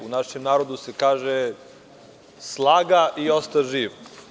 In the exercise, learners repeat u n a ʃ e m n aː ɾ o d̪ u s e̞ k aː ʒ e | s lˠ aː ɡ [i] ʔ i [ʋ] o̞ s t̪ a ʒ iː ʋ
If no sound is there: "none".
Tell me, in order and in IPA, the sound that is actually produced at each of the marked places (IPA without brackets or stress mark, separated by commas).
a, none